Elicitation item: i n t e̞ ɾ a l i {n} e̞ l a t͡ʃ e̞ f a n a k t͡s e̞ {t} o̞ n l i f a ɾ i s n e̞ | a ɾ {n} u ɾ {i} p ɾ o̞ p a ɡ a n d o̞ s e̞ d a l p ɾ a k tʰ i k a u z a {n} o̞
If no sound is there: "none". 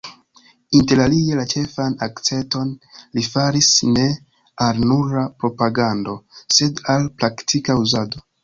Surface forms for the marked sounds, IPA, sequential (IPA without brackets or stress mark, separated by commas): none, t, n, a, d